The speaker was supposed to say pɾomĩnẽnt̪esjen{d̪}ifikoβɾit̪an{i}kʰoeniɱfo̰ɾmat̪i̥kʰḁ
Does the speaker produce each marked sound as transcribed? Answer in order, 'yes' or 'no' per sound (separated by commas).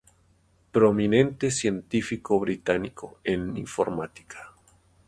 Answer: no, yes